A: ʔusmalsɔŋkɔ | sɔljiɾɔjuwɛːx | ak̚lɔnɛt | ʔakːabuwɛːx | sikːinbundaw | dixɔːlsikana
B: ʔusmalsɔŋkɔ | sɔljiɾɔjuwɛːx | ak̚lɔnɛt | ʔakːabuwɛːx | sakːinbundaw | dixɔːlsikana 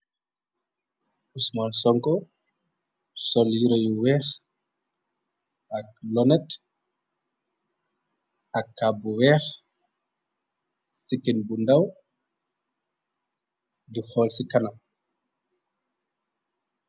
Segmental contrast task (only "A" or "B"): A